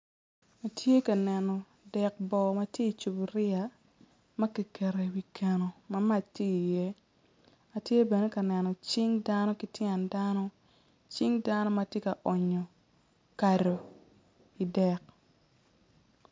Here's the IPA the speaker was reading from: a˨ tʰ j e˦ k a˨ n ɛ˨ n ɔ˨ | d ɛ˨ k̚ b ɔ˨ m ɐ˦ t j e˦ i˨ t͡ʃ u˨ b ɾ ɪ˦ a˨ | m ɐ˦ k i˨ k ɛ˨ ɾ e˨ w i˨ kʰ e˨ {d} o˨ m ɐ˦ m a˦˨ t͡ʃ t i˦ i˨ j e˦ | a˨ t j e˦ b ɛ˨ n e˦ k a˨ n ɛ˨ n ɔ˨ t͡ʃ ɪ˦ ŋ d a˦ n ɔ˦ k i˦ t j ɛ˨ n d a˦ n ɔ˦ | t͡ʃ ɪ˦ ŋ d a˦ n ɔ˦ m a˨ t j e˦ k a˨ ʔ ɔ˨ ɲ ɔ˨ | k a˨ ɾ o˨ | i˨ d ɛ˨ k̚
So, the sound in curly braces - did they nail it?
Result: no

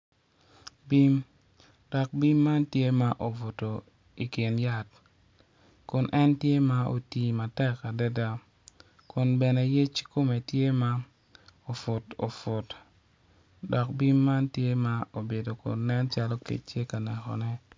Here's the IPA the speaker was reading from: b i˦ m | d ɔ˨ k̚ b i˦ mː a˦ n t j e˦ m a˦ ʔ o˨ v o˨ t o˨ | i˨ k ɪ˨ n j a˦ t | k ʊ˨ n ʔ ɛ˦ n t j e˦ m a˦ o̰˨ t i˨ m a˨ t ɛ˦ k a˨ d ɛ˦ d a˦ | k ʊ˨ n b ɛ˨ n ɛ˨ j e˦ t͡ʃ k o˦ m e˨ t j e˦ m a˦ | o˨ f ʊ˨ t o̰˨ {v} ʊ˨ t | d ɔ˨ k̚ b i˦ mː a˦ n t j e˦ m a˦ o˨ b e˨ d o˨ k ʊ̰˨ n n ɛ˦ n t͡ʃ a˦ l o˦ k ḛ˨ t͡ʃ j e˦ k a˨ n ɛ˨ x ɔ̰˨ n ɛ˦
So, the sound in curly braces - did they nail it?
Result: no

